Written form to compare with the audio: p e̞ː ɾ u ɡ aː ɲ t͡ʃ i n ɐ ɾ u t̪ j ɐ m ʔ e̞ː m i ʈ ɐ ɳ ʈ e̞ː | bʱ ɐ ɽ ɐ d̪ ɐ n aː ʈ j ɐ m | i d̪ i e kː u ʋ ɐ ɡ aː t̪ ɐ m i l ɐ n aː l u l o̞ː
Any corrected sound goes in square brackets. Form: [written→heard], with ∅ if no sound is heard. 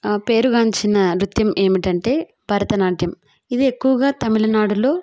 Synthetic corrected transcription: p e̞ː ɾ u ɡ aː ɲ t͡ʃ i n ɐ ɾ u t̪ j ɐ m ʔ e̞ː m i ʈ ɐ ɳ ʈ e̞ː | bʱ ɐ [ɽ→ɾ] ɐ [d̪→t̪] ɐ n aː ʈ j ɐ m | i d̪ i e kː u ʋ ɐ ɡ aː t̪ ɐ m i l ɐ n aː [l→ɽ] u l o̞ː